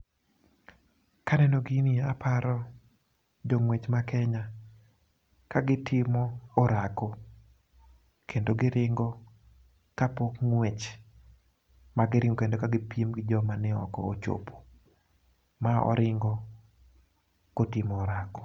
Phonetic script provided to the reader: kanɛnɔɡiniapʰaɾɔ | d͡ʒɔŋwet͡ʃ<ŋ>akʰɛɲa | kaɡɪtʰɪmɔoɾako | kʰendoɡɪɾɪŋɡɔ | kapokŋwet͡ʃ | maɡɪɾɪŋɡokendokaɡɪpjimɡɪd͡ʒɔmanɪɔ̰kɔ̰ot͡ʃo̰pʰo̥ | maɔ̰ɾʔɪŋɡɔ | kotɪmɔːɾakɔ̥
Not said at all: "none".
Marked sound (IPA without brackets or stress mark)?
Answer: m